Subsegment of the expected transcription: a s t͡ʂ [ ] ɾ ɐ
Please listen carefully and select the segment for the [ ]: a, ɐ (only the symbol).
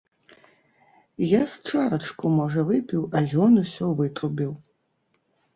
a